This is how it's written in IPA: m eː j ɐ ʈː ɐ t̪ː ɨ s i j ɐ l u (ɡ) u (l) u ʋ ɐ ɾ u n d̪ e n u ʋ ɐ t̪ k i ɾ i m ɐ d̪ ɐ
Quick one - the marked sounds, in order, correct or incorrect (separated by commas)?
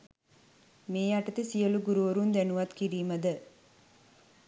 correct, incorrect